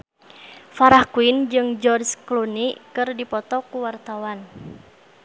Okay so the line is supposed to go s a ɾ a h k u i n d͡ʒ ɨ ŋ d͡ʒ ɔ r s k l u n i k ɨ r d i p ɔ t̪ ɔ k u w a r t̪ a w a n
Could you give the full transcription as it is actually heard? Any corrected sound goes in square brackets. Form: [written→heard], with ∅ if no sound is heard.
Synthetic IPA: [s→f] a ɾ a h k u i n d͡ʒ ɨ ŋ d͡ʒ ɔ r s k l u n i k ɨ r d i p ɔ t̪ ɔ k u w a r t̪ a w a n